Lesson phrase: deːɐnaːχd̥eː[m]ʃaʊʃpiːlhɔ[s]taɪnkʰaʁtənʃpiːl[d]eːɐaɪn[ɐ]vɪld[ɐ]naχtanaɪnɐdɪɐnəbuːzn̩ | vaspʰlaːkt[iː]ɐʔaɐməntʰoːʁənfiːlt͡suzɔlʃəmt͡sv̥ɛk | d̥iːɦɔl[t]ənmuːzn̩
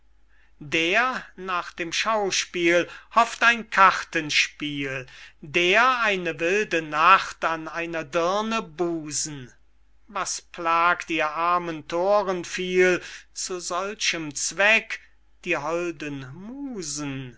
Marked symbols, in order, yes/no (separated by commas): yes, no, yes, no, no, yes, no